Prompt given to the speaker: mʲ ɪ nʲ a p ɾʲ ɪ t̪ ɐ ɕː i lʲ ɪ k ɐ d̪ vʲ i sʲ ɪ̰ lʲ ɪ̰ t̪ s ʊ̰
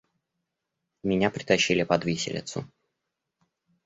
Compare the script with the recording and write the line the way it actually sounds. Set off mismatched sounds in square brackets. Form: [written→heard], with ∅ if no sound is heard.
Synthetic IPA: mʲ ɪ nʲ a p ɾʲ ɪ t̪ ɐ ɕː i lʲ ɪ [k→p] ɐ d̪ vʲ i sʲ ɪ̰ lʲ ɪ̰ t̪ s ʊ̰